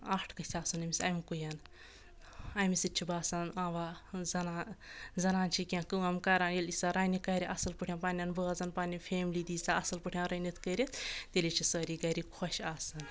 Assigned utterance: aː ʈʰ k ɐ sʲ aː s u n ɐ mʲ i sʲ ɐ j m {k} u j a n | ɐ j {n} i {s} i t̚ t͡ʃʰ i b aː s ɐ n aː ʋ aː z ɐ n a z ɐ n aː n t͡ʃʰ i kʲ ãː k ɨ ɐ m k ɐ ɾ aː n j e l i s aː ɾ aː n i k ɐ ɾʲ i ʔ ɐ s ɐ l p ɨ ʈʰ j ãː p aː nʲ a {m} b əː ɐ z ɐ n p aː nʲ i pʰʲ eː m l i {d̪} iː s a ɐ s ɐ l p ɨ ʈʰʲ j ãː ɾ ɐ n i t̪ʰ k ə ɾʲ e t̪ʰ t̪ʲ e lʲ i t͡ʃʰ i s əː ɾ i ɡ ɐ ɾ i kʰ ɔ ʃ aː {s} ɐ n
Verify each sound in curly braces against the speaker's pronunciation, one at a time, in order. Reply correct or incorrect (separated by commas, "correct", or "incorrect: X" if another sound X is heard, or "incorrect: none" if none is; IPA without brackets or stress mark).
correct, incorrect: m, correct, incorrect: n, correct, correct